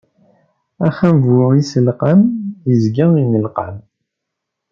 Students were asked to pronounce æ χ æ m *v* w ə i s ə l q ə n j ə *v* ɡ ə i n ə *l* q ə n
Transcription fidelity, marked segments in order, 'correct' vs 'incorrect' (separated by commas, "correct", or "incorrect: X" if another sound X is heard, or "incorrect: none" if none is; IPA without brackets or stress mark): correct, incorrect: z, correct